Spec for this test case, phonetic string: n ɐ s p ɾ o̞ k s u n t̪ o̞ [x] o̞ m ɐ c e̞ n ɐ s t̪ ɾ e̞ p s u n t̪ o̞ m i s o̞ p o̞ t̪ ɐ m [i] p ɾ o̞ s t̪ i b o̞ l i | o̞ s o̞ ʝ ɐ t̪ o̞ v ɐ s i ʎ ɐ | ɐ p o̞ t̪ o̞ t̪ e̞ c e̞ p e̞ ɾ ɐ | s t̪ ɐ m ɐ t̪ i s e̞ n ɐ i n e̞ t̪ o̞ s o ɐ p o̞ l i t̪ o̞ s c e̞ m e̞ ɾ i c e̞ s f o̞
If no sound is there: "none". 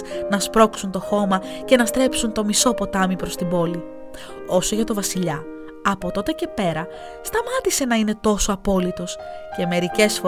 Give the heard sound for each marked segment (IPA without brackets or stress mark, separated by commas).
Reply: x, i